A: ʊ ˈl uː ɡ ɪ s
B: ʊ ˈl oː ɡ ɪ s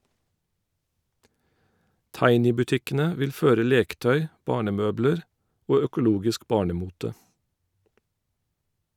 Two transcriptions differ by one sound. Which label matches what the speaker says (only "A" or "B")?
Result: A